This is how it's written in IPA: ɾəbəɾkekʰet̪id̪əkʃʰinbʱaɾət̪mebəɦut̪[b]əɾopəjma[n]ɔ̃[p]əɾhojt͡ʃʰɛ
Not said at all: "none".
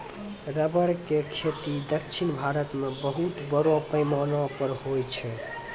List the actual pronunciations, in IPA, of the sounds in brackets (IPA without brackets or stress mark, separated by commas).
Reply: b, n, p